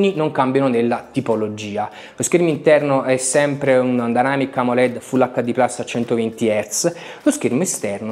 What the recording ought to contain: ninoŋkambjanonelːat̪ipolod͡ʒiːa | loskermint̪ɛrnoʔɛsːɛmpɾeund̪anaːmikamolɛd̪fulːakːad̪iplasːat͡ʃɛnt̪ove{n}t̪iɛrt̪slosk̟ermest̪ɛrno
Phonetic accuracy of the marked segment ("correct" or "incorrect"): correct